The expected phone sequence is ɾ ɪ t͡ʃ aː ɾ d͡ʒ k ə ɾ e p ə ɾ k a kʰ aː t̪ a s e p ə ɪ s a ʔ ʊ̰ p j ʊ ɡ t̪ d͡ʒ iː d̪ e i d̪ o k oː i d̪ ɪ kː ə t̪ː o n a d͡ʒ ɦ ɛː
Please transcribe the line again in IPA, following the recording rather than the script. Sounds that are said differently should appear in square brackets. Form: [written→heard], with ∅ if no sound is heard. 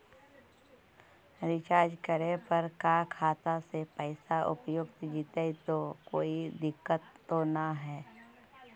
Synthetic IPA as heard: ɾ ɪ t͡ʃ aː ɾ d͡ʒ k ə ɾ e p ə ɾ k a kʰ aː t̪ a s e p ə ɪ s a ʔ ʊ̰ p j ʊ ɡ t̪ d͡ʒ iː [d̪→t̪] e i [d̪→t̪] o k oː i d̪ ɪ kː ə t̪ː o n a [d͡ʒ→∅] ɦ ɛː